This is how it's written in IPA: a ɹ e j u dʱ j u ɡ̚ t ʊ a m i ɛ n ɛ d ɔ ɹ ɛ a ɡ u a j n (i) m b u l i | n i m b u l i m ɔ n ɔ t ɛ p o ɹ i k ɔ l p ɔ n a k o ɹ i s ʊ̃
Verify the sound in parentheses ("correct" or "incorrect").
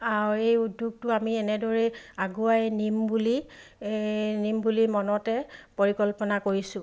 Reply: correct